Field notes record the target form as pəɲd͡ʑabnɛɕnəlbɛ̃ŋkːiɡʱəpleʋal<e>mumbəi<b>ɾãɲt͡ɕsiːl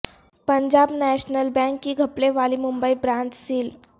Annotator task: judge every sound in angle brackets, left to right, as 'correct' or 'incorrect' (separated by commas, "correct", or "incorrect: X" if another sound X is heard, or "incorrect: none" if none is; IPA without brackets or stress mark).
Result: incorrect: i, correct